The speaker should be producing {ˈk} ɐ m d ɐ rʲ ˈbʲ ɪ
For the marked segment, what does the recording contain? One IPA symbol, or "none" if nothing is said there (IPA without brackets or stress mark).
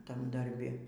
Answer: t